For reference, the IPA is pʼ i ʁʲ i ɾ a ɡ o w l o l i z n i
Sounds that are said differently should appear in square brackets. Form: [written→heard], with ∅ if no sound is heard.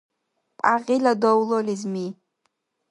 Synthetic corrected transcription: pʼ [i→a] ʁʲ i [ɾ→l] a [ɡ→d] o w l o l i z [n→m] i